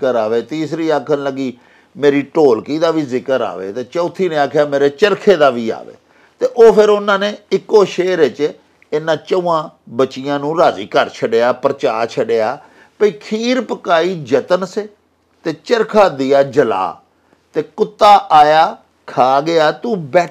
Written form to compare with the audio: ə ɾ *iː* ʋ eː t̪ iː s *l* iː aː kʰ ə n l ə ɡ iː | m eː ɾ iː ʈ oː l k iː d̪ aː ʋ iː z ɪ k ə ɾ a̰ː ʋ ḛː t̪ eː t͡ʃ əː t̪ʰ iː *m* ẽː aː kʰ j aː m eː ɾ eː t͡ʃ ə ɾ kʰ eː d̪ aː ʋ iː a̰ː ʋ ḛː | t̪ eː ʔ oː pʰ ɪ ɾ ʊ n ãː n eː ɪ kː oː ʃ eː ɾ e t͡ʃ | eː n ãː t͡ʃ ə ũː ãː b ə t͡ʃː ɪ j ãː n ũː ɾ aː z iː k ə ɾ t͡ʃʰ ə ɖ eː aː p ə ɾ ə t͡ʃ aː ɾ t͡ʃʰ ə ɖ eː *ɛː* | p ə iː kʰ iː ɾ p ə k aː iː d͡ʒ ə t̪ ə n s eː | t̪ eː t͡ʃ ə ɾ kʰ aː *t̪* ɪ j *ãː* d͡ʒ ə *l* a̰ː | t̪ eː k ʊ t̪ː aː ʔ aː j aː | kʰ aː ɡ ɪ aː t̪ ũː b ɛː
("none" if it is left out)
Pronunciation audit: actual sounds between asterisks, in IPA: aː, ɾ, n, aː, d̪, aː, l

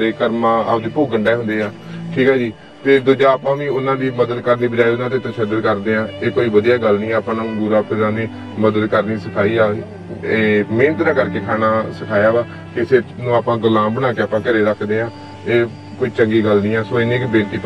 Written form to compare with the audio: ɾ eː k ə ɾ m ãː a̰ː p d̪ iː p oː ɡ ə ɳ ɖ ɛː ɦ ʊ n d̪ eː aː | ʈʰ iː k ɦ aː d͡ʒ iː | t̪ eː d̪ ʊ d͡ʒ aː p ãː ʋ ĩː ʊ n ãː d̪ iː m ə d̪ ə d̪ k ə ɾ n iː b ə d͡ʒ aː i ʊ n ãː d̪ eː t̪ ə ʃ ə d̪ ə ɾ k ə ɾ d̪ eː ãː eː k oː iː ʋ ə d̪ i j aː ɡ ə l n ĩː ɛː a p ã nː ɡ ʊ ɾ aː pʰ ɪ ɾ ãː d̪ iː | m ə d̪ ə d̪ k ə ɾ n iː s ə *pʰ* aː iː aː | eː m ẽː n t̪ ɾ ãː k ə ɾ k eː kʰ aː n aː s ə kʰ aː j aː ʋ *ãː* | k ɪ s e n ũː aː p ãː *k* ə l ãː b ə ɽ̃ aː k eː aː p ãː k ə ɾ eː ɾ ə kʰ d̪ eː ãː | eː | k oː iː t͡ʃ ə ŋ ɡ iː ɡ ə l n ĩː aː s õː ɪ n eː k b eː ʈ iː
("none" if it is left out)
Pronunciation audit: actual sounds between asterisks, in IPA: kʰ, aː, ɡ

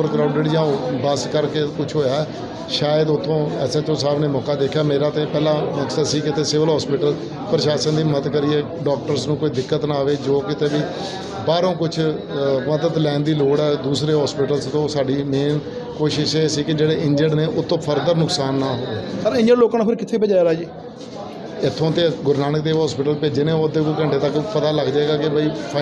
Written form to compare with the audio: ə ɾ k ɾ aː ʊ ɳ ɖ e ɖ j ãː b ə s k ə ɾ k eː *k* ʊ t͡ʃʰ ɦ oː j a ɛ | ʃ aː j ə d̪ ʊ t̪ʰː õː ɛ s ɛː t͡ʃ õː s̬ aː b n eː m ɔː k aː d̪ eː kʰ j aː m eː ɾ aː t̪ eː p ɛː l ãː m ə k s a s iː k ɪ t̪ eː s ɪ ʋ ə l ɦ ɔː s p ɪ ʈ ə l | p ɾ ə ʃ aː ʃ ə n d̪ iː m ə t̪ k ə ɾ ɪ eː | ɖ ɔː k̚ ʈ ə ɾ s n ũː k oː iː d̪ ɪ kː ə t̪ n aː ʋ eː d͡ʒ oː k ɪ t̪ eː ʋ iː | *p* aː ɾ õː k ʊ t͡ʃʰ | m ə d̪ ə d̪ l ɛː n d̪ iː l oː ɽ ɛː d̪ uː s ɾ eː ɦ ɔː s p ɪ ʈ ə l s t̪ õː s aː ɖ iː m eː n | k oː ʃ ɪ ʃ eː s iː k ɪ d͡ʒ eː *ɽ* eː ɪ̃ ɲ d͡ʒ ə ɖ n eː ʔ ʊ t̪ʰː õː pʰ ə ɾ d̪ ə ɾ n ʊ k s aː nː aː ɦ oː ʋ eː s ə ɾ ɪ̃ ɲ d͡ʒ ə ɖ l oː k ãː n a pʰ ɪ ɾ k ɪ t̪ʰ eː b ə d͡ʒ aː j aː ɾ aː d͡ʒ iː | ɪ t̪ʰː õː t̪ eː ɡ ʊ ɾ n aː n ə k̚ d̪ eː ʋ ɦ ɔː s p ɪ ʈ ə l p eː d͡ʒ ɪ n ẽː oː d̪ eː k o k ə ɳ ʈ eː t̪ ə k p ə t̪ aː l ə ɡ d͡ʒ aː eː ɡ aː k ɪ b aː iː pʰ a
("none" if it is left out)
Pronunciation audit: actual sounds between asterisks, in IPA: k, b, ɽ

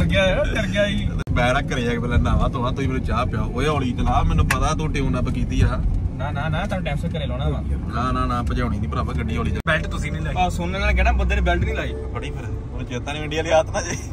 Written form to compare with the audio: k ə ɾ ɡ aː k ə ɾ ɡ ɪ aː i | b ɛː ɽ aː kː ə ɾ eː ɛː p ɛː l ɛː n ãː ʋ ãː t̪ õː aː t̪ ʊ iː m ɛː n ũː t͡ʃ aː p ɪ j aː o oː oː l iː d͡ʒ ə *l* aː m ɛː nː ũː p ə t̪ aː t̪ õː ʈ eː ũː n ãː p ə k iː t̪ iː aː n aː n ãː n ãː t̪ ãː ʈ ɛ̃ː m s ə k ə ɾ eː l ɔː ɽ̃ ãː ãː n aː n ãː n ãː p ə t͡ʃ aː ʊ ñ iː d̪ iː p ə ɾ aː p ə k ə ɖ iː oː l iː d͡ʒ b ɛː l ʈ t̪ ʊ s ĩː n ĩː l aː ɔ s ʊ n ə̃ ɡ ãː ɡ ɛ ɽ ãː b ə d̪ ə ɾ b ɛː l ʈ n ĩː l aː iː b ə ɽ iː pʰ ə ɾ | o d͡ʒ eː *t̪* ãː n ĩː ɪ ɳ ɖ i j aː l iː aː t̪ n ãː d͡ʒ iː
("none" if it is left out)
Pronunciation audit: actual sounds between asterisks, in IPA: l, t̪

